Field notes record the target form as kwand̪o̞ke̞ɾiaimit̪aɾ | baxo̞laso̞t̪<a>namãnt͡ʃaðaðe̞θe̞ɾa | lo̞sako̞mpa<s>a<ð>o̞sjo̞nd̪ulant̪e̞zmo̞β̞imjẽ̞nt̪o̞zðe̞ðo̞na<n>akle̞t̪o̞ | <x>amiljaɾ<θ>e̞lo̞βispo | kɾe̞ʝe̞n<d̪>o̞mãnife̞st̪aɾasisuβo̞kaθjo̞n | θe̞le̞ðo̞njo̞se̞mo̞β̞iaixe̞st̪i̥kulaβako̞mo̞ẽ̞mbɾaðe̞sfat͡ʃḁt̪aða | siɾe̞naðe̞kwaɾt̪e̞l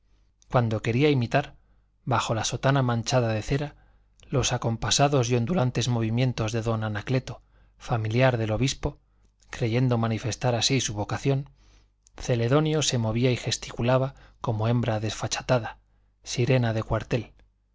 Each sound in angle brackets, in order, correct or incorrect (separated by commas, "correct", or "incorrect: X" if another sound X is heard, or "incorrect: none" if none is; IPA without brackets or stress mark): correct, correct, correct, correct, incorrect: f, incorrect: ð, correct